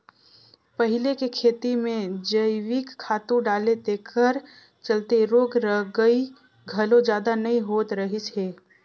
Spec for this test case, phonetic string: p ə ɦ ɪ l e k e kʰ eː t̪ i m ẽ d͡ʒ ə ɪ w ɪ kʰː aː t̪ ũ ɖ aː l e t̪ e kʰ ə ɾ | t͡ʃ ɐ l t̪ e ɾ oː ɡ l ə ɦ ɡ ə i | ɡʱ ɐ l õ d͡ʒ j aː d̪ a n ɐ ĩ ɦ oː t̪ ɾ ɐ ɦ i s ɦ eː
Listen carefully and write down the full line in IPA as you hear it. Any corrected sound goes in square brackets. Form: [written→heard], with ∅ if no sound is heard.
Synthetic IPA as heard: p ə ɦ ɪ l e k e kʰ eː t̪ i m ẽ d͡ʒ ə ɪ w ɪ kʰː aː t̪ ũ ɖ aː l e t̪ e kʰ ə ɾ | t͡ʃ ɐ l t̪ e ɾ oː ɡ [l→ɾ] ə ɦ ɡ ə i | ɡʱ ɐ l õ d͡ʒ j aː d̪ a n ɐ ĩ ɦ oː t̪ ɾ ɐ ɦ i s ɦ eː